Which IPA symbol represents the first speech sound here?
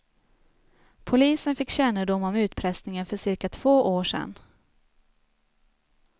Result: pʰ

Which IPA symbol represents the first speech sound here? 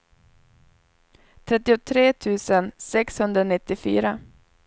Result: t̪ʰ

